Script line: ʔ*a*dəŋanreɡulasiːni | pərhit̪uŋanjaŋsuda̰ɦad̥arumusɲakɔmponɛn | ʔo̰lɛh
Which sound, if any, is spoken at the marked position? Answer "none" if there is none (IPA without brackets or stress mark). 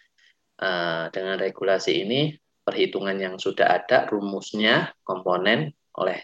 ə